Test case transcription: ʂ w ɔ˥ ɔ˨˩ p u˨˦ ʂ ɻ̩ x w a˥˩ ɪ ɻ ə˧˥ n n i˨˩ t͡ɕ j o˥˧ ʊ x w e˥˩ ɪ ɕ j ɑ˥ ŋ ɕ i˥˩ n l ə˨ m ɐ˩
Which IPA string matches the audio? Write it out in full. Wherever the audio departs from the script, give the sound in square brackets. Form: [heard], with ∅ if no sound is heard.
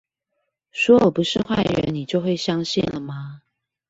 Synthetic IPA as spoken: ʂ w ɔ˥ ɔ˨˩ p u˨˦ ʂ ɻ̩ x w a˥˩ ɪ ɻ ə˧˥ n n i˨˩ t͡ɕ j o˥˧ ʊ x w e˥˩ ɪ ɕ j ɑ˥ ŋ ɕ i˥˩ n l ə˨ m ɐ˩